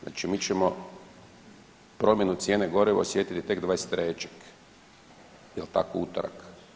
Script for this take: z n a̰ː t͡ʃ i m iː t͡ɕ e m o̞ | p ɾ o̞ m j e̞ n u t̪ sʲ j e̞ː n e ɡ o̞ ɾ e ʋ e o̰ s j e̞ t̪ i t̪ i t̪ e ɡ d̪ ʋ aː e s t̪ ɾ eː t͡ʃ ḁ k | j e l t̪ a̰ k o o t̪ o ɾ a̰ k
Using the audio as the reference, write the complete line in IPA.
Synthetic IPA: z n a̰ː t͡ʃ i m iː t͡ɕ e m o̞ | p ɾ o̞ m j e̞ n u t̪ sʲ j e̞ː n e ɡ o̞ ɾ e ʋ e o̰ s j e̞ t̪ i t̪ i t̪ e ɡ d̪ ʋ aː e s t̪ ɾ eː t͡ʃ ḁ k | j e l t̪ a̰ k o u t̪ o ɾ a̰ k

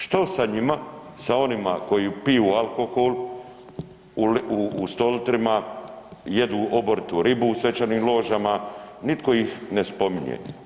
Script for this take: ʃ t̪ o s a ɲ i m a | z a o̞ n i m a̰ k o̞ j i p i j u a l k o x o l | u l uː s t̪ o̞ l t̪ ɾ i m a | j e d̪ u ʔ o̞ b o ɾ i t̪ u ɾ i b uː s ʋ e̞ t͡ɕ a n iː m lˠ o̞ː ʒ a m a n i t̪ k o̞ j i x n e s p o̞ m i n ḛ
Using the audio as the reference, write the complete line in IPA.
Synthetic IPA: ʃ t̪ o s a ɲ i m a | s a o̞ n i m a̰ k o̞ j i p i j u a l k o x o l | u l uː s t̪ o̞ l t̪ ɾ i m a | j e d̪ u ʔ o̞ b o ɾ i t̪ u ɾ i b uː s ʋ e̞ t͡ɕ a n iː m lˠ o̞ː ʒ a m a n i t̪ k o̞ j i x n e s p o̞ m i ɲ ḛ

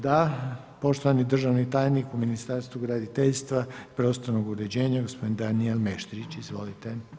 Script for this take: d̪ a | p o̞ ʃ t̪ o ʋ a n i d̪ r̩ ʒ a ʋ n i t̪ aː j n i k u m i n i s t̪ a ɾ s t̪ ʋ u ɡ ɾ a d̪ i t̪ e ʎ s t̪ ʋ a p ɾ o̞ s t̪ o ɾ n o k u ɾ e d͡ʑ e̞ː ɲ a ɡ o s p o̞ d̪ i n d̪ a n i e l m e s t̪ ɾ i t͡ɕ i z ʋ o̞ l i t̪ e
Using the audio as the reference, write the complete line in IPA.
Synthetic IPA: d̪ a | p o̞ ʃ t̪ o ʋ a n i d̪ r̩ ʒ a ʋ n i t̪ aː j n i k u m i n i s t̪ a ɾ s t̪ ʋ u ɡ ɾ a d̪ i t̪ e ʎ s t̪ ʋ a p ɾ o̞ s t̪ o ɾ n o ɡ u ɾ e d͡ʑ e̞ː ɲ a ɡ o s p o̞ d̪ i n d̪ a n i e l m e ʃ t̪ ɾ i t͡ɕ i z ʋ o̞ l i t̪ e

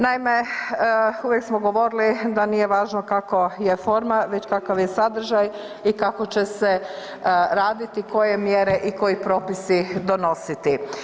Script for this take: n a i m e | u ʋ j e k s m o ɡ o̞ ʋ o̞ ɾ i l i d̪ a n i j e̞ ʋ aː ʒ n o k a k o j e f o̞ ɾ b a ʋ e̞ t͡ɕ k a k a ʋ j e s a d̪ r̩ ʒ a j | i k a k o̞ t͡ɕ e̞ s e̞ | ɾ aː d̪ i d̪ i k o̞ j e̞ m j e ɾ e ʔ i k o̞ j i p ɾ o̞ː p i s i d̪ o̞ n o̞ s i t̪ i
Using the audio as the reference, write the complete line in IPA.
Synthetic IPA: n a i m e | u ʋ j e k s m o ɡ o̞ ʋ o̞ ɾ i l i d̪ a n i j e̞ ʋ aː ʒ n o k a k o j e f o̞ ɾ m a ʋ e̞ t͡ɕ k a k a ʋ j e s a d̪ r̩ ʒ a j | i k a k o̞ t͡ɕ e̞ s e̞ | ɾ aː d̪ i t̪ i k o̞ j e̞ m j e ɾ e ʔ i k o̞ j i p ɾ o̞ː p i s i d̪ o̞ n o̞ s i t̪ i

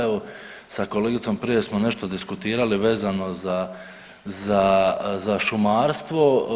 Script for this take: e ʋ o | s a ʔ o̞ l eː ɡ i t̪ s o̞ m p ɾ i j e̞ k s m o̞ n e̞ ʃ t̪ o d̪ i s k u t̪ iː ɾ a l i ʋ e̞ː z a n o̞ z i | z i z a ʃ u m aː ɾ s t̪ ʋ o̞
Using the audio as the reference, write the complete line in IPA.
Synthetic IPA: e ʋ o | s a k o̞ l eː ɡ i t̪ s o̞ m p ɾ i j e̞ s m o̞ n e̞ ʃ t̪ o d̪ i s k u t̪ iː ɾ a l i ʋ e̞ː z a n o̞ z a | z a z a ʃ u m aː ɾ s t̪ ʋ o̞

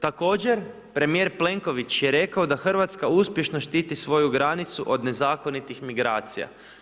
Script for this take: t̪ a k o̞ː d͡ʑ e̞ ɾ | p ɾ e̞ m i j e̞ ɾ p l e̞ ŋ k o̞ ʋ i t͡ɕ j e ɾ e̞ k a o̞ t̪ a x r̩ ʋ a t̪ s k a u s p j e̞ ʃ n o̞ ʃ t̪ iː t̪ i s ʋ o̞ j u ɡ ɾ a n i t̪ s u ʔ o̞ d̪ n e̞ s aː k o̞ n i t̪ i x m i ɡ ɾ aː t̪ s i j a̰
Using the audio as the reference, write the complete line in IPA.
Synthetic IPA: t̪ a k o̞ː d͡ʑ e̞ ɾ | p ɾ e̞ m i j e̞ ɾ p l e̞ ŋ k o̞ ʋ i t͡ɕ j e ɾ e̞ k a o̞ d̪ a x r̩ ʋ a t̪ s k a u s p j e̞ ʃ n o̞ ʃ t̪ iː t̪ i s ʋ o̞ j u ɡ ɾ a n i t̪ s u ʔ o̞ d̪ n e̞ z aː k o̞ n i t̪ i x m i ɡ ɾ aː t̪ s i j a̰

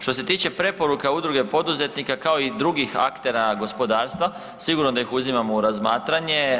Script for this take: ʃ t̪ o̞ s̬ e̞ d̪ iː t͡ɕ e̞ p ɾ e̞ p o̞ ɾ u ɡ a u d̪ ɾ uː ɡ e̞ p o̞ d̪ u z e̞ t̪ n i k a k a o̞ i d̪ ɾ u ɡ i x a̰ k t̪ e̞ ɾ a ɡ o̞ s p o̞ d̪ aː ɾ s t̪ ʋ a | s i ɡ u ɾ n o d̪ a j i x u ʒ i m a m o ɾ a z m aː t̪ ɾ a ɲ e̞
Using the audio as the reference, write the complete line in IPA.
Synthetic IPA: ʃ t̪ o̞ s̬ e̞ t̪ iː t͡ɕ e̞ p ɾ e̞ p o̞ ɾ u k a u d̪ ɾ u ɡ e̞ p o̞ d̪ u z e̞ t̪ n i k a k a o̞ i d̪ ɾ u ɡ i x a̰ k t̪ e̞ ɾ a ɡ o̞ s p o̞ d̪ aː ɾ s t̪ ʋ a | s i ɡ u ɾ n o d̪ a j i x u z i m a m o ɾ a z m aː t̪ ɾ a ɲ e̞

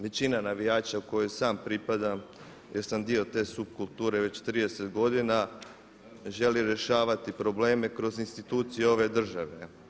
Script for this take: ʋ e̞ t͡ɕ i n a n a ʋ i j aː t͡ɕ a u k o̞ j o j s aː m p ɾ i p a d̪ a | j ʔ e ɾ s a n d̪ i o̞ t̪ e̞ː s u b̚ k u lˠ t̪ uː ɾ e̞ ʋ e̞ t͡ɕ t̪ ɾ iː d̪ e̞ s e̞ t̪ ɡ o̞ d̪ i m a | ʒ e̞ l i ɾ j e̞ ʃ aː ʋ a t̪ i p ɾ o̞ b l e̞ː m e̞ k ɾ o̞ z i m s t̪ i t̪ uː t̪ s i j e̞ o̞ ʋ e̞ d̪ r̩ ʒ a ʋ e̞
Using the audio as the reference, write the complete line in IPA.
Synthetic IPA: ʋ e̞ t͡ɕ i n a n a ʋ i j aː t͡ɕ a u k o̞ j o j s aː m p ɾ i p a d̪ a | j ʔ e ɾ s a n d̪ i o̞ t̪ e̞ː s u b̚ k u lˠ t̪ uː ɾ e̞ ʋ e̞ t͡ɕ t̪ ɾ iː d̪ e̞ s e̞ t̪ ɡ o̞ d̪ i n a | ʒ e̞ l i ɾ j e̞ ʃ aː ʋ a t̪ i p ɾ o̞ b l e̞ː m e̞ k ɾ o̞ z i n s t̪ i t̪ uː t̪ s i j e̞ o̞ ʋ e̞ d̪ r̩ ʒ a ʋ e̞

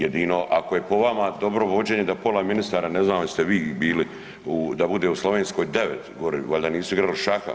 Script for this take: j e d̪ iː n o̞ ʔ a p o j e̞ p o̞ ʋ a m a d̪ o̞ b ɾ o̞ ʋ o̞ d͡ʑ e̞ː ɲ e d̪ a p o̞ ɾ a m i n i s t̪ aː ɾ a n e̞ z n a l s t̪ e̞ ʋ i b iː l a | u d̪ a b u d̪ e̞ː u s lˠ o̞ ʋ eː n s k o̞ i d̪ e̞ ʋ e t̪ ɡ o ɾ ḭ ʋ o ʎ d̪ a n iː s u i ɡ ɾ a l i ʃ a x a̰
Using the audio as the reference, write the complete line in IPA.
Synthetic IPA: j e d̪ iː n o̞ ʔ a k o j e̞ p o̞ ʋ a m a d̪ o̞ b ɾ o̞ ʋ o̞ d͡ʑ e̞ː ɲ e d̪ a p o̞ l a m i n i s t̪ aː ɾ a n e̞ z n a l s t̪ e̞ ʋ iː b iː l i | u d̪ a b u d̪ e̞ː u s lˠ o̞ ʋ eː n s k o̞ j d̪ e̞ ʋ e t̪ ɡ o ɾ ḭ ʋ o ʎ d̪ a n iː s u i ɡ ɾ a l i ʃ a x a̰

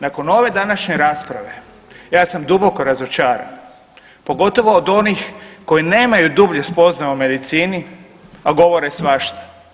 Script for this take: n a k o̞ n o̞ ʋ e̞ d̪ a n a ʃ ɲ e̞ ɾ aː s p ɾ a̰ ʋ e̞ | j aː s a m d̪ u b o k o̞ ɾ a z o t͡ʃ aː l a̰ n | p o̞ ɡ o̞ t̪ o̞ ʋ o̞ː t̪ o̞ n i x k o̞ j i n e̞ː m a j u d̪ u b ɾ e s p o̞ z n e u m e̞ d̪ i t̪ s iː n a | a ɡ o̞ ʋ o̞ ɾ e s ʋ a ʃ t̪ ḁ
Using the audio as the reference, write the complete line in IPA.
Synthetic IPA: n a k o̞ n o̞ ʋ e̞ d̪ a n a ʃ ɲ e̞ ɾ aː s p ɾ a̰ ʋ e̞ | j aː s a m d̪ u b o k o̞ ɾ a z o t͡ʃ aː ɾ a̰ n | p o̞ ɡ o̞ t̪ o̞ ʋ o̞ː d̪ o̞ n i x k o̞ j i n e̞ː m a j u d̪ u b ʎ e s p o̞ z n a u m e̞ d̪ i t̪ s iː n i | a ɡ o̞ ʋ o̞ ɾ e s ʋ a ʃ t̪ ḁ

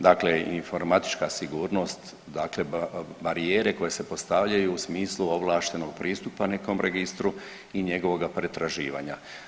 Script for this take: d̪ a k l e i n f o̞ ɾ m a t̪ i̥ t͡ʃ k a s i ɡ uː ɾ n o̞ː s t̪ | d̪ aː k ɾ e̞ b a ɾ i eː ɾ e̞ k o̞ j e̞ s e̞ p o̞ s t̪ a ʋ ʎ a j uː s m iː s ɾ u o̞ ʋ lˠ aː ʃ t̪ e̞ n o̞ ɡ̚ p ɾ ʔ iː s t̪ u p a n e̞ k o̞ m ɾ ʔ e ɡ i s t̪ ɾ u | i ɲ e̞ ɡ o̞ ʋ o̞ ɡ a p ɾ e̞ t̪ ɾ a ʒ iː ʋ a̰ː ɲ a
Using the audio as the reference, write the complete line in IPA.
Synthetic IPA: d̪ a k l e i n f o̞ ɾ m a t̪ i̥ t͡ʃ k a s i ɡ uː ɾ n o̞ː s t̪ | d̪ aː k l e̞ b a ɾ i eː ɾ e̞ k o̞ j e̞ s e̞ p o̞ s t̪ a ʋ ʎ a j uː s m iː s l u o̞ ʋ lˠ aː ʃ t̪ e̞ n o̞ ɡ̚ p ɾ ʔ iː s t̪ u p a n e̞ k o̞ m ɾ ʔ e ɡ i s t̪ ɾ u | i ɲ e̞ ɡ o̞ ʋ o̞ ɡ a p ɾ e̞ t̪ ɾ a ʒ iː ʋ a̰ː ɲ a

